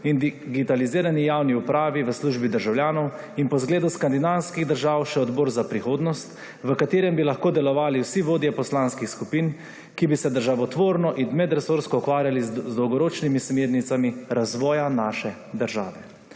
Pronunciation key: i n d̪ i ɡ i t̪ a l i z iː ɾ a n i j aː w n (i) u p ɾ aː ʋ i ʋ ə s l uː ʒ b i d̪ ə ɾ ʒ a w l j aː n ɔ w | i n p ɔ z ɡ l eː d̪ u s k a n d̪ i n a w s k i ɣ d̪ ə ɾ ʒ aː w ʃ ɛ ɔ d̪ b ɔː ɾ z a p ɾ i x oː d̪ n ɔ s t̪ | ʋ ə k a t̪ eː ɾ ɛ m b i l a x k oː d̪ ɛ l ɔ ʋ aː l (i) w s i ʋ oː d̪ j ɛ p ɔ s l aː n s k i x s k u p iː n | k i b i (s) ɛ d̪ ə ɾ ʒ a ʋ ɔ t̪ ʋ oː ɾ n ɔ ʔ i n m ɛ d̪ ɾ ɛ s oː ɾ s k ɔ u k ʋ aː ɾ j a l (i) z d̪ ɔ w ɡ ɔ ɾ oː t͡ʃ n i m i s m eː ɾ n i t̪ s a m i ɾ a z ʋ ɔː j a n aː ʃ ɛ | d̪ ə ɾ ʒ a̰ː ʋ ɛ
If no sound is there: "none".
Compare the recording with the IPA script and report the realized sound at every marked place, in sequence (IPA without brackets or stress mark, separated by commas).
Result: i, i, s, i